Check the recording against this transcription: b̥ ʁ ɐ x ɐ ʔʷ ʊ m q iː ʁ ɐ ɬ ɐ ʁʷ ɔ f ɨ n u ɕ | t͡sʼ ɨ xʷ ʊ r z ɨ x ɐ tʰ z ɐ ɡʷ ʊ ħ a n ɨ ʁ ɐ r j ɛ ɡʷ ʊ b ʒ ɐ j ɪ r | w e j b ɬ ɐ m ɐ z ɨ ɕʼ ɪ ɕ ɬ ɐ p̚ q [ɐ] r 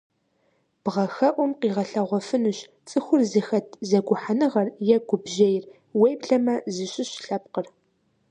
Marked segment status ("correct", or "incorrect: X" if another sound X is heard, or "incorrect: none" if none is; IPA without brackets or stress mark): incorrect: ə